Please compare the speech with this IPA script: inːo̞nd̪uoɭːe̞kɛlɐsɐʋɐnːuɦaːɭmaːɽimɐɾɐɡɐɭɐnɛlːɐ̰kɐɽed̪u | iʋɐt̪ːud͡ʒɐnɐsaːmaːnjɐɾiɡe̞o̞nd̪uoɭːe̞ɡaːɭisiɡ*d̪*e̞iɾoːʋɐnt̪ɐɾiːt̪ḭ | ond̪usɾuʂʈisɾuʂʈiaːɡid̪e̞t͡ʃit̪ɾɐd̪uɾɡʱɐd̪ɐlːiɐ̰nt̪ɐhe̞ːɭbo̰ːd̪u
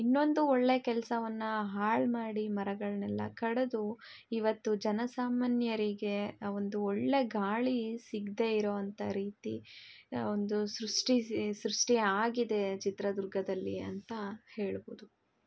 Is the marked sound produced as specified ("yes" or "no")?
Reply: yes